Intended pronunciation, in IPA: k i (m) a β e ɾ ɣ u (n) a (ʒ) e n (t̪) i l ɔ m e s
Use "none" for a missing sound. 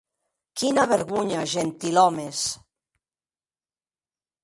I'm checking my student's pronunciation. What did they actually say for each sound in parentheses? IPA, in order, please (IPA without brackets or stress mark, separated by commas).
n, ɲ, ʒ, t̪